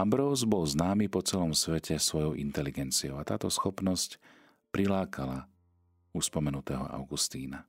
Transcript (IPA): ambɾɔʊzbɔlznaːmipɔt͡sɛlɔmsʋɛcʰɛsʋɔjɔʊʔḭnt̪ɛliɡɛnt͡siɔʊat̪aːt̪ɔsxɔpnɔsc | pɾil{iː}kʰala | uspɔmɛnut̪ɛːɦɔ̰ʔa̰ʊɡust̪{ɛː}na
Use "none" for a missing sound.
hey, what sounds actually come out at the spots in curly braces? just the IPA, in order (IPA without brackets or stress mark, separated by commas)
aː, iː